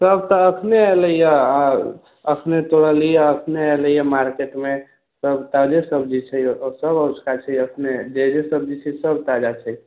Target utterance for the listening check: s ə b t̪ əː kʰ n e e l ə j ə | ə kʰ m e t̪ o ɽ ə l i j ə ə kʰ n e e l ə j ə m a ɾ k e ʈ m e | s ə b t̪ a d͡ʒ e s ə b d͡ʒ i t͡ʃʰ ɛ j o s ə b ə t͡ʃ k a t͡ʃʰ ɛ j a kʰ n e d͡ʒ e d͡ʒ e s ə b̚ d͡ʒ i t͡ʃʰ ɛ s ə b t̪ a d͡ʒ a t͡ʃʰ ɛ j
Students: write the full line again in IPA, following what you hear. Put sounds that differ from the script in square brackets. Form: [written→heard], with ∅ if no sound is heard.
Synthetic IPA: s ə b t̪ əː kʰ n e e l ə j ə | ə kʰ [m→n] e t̪ o ɽ ə l i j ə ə kʰ n e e l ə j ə m a ɾ k e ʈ m e | s ə b t̪ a d͡ʒ e s ə b d͡ʒ i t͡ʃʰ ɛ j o s ə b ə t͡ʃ k a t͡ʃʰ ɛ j [a→ə] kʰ n e d͡ʒ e d͡ʒ e s ə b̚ d͡ʒ i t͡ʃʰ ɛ s ə b t̪ a d͡ʒ a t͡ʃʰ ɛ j